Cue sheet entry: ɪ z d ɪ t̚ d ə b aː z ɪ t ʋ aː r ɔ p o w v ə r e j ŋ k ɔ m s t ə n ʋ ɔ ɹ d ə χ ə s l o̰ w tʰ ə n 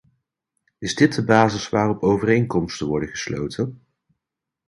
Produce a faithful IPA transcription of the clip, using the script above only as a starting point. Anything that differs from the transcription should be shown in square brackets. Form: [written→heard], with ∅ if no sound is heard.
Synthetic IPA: ɪ z d ɪ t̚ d ə b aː z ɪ [t→s] ʋ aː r ɔ p o w v ə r e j ŋ k ɔ m s t ə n ʋ ɔ ɹ d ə χ ə s l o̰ w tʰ ə n